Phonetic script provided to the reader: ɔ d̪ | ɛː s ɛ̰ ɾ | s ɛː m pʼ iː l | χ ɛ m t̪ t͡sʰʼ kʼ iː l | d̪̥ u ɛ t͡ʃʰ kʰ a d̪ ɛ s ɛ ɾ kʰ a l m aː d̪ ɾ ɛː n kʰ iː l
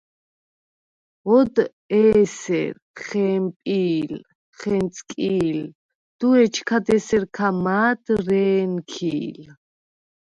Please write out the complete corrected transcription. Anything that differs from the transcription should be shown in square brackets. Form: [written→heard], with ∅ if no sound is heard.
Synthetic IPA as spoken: ɔ d̪ | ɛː s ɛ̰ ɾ | [s→χ] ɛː m pʼ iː l | χ ɛ [m→n] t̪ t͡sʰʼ kʼ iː l | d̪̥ u ɛ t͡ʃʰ kʰ a d̪ ɛ s ɛ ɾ kʰ a [l→∅] m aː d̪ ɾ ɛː n kʰ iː l

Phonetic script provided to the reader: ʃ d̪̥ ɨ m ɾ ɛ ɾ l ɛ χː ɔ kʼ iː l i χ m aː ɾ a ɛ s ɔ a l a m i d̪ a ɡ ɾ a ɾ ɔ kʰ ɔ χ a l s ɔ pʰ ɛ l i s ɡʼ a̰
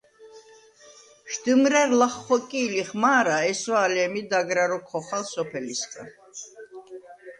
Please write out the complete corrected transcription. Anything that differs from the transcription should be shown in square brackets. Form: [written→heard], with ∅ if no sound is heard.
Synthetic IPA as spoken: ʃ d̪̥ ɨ m ɾ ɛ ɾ l [ɛ→a] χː ɔ kʼ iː l i χ m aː ɾ a ɛ s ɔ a l [a→ɛ] m i d̪ a ɡ ɾ a ɾ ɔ kʰ ɔ χ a l s ɔ pʰ ɛ l i s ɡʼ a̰

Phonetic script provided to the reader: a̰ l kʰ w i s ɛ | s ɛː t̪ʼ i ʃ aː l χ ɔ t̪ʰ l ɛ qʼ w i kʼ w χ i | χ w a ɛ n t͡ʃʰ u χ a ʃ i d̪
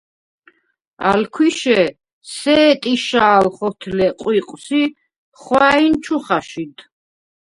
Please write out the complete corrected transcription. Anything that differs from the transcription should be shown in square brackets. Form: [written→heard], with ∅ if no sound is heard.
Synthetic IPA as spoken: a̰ l kʰ w i [s→ʃ] ɛ | s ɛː t̪ʼ i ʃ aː l χ ɔ t̪ʰ l ɛ qʼ w i [kʼ→qʼ] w [χ→s] i | χ w a [ɛ→i] n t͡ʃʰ u χ a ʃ i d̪

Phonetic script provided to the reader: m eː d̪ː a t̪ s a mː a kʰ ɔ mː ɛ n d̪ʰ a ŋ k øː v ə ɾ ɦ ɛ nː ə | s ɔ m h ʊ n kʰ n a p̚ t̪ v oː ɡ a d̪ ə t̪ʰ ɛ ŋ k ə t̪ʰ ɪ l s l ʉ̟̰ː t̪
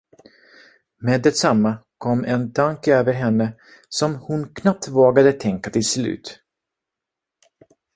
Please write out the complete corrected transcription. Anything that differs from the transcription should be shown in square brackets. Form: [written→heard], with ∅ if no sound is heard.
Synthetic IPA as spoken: m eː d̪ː [a→ɛ] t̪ s a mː a kʰ ɔ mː ɛ n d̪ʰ a ŋ k øː v ə ɾ ɦ ɛ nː ə | s ɔ m h ʊ n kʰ n a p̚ t̪ v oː ɡ a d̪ ə t̪ʰ ɛ ŋ k [ə→a] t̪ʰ ɪ l s l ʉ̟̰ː t̪

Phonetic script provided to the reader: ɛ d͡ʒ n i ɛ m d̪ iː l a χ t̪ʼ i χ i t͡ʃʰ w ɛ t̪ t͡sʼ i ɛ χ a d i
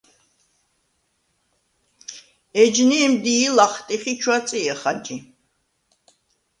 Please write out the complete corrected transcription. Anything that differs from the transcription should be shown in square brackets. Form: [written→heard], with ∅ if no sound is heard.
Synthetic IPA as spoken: ɛ d͡ʒ n i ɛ m d̪ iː l a χ t̪ʼ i χ i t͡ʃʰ w [ɛ→a] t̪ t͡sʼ i ɛ χ a [d→d͡ʒ] i

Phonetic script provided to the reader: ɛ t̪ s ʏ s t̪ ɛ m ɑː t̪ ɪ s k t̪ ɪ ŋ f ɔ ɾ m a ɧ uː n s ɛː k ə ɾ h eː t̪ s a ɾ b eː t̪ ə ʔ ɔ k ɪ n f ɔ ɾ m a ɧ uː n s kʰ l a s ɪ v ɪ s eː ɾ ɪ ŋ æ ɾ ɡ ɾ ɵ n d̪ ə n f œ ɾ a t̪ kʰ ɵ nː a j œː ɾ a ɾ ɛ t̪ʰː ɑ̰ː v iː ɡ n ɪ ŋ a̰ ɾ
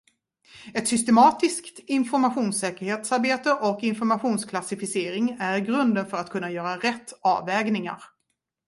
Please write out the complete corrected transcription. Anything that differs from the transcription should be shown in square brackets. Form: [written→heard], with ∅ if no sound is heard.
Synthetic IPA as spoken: ɛ t̪ s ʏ s t̪ ɛ m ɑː t̪ ɪ s k t̪ ɪ [ŋ→n] f ɔ ɾ m a ɧ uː n s ɛː k ə ɾ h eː t̪ s a ɾ b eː t̪ ə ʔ ɔ k ɪ n f ɔ ɾ m a ɧ uː n s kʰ l a s ɪ [v→f] ɪ s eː ɾ ɪ ŋ æ ɾ ɡ ɾ ɵ n d̪ ə n f œ ɾ a t̪ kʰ ɵ nː a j œː ɾ a ɾ ɛ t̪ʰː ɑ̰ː v [iː→ɛː] ɡ n ɪ ŋ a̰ ɾ

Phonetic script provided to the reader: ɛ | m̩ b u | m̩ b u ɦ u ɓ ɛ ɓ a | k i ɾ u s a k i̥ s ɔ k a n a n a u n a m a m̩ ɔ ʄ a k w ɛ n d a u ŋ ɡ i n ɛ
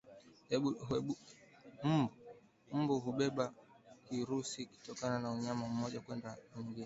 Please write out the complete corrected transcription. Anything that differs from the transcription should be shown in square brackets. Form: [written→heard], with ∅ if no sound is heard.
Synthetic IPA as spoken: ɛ | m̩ b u | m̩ b u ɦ u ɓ ɛ ɓ a | k i ɾ u s [a→i] k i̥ [s→t] ɔ k a n a n a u [n→ɲ] a m a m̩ ɔ ʄ a k w ɛ n d a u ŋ ɡ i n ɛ

